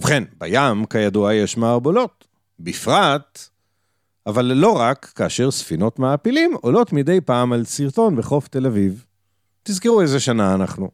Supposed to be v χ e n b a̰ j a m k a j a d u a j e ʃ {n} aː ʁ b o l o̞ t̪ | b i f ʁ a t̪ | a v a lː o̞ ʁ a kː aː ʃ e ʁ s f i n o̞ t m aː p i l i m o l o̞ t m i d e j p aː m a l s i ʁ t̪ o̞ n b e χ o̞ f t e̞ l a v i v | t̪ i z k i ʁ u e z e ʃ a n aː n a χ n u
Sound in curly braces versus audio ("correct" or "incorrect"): incorrect